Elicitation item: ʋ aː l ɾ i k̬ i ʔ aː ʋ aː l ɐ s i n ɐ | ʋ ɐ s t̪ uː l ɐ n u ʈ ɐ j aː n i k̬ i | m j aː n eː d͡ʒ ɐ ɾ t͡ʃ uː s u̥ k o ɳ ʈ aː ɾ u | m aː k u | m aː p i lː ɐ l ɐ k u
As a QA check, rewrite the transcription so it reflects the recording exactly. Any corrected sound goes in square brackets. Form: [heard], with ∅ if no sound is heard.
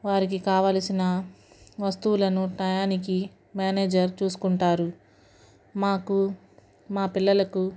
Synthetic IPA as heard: ʋ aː [∅] ɾ i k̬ i [k] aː ʋ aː l ɐ s i n ɐ | ʋ ɐ s t̪ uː l ɐ n u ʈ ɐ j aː n i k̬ i | m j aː n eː d͡ʒ ɐ ɾ t͡ʃ uː s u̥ k [u] ɳ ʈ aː ɾ u | m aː k u | m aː p i lː ɐ l ɐ k u